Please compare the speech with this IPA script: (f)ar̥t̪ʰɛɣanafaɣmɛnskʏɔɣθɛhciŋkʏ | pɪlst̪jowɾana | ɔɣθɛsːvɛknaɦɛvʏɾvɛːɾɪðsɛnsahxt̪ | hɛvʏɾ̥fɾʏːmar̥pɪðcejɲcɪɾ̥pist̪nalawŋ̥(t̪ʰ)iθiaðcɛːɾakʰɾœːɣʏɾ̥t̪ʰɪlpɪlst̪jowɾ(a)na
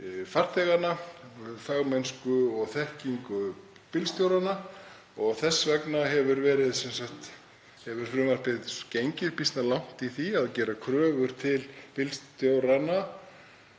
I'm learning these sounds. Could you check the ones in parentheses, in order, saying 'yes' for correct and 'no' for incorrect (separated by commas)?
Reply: yes, no, yes